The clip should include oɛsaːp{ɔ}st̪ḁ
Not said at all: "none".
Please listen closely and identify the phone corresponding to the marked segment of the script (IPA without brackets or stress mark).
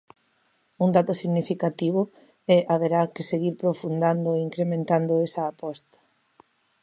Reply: ɔ